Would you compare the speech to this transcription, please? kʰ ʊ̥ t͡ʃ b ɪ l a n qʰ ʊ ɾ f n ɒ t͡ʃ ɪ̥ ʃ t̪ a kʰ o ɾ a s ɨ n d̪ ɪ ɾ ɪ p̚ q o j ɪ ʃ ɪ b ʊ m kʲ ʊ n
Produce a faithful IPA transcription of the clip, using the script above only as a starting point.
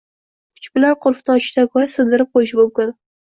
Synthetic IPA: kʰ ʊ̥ t͡ʃ b ɪ l a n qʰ ʊ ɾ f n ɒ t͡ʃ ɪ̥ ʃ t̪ a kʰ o ɾ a s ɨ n d̪ ɪ ɾ ɪ p̚ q o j ɪ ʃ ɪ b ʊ m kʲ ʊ n